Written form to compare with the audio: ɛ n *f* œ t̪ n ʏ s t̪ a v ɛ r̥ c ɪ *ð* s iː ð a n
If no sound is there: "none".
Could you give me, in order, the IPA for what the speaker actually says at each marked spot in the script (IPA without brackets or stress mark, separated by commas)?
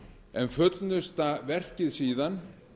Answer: f, ð